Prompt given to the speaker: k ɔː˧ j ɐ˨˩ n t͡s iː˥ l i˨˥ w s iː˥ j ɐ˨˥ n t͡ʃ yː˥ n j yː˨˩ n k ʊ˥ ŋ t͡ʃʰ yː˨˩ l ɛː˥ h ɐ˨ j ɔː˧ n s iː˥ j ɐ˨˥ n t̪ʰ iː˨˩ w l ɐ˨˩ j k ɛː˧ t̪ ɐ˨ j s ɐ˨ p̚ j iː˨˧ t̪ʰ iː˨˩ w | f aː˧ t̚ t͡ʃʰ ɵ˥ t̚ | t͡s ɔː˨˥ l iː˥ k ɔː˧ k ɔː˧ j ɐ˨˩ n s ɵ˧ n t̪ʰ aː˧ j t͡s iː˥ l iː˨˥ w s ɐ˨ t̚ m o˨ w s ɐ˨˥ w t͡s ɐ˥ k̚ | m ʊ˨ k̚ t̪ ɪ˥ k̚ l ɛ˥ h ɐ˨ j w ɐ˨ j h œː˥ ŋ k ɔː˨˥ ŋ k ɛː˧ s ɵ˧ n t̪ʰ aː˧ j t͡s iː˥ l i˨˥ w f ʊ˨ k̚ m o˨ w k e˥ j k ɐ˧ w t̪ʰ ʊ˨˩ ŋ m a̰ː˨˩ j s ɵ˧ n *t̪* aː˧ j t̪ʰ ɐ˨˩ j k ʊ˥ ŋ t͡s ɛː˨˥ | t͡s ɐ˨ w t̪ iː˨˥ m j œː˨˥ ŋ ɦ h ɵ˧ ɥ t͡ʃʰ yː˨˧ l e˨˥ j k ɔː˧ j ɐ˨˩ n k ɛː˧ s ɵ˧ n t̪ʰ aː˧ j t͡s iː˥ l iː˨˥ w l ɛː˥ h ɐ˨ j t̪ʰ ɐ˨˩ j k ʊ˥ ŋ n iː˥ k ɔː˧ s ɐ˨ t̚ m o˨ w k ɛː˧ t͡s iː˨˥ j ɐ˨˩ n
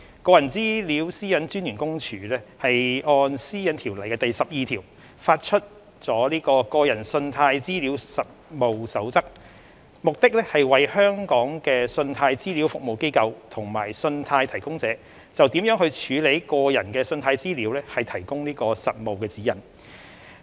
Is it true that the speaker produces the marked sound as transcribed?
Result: no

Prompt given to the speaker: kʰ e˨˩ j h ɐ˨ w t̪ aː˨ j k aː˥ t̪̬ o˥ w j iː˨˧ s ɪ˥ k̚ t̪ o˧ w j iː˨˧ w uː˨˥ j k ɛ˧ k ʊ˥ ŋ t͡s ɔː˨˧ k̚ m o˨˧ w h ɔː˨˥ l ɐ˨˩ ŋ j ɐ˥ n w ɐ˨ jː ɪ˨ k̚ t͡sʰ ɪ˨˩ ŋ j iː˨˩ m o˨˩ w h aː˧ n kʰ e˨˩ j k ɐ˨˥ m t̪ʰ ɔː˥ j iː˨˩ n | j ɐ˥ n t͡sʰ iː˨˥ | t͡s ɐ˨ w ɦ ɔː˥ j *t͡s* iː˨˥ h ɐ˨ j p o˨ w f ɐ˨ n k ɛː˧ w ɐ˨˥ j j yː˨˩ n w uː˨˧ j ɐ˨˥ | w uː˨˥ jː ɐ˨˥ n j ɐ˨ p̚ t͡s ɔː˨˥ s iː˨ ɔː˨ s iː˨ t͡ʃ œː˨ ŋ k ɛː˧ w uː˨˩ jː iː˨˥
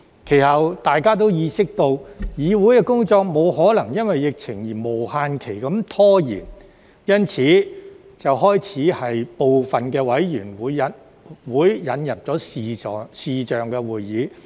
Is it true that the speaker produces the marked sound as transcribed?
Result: no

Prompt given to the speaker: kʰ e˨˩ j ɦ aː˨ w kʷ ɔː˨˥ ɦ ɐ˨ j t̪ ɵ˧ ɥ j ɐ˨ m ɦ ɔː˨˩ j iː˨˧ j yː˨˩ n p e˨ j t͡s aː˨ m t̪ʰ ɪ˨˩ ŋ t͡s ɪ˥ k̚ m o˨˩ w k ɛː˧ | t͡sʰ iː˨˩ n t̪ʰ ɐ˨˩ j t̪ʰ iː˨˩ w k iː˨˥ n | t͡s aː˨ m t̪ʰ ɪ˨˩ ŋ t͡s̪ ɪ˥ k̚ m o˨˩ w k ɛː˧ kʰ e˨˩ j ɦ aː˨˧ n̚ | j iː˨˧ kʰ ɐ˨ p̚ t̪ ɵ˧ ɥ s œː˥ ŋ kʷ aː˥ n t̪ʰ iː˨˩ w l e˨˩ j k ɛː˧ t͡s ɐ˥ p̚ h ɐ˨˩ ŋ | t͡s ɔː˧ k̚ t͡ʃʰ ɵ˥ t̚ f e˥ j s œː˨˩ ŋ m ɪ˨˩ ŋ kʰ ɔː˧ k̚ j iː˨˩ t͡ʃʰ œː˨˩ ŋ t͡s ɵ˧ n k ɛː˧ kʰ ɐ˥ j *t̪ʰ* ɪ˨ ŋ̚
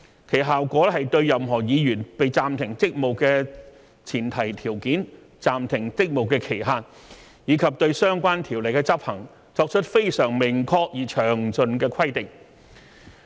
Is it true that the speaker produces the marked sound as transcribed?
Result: no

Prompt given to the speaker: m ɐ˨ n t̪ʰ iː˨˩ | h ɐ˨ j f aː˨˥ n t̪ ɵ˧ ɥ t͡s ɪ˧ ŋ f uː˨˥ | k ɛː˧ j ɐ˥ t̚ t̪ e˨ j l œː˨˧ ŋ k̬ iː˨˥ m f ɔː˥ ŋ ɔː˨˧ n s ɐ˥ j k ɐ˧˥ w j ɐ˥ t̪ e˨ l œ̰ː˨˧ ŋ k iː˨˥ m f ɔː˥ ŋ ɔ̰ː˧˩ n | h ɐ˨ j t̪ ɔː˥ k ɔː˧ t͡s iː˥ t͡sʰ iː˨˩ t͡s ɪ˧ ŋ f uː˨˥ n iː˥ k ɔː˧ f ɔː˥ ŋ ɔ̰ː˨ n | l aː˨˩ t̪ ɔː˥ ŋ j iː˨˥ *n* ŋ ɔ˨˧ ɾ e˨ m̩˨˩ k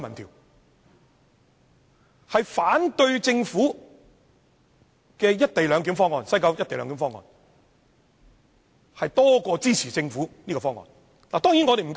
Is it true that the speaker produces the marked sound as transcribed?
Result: yes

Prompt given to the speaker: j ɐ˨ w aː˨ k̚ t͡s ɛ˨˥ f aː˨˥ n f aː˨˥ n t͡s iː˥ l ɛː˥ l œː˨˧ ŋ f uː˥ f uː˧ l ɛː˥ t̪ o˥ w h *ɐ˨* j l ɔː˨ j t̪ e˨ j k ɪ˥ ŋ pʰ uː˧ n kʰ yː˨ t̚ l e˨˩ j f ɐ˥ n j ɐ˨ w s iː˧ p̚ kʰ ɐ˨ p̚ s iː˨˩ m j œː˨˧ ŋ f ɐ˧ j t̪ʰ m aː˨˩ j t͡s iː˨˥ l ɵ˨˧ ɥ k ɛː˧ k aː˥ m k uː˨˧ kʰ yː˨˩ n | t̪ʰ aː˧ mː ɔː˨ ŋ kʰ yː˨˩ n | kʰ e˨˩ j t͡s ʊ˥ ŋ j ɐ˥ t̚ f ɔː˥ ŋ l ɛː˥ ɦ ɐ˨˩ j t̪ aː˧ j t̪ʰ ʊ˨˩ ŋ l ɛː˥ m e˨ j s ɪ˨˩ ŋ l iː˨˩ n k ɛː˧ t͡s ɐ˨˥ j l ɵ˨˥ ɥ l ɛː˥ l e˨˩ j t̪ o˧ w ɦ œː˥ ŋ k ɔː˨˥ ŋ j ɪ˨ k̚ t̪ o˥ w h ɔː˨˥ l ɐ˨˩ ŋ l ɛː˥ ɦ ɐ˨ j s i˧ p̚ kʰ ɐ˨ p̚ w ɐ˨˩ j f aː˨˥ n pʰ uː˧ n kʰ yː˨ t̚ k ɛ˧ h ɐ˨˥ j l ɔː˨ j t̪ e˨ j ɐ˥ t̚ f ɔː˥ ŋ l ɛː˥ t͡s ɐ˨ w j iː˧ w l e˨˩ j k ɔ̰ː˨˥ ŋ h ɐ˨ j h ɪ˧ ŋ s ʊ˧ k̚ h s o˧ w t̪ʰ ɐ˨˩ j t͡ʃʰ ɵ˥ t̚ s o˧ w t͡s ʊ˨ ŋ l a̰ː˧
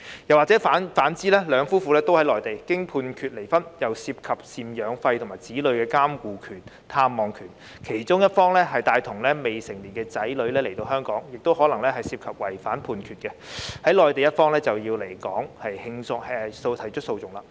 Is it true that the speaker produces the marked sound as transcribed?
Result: no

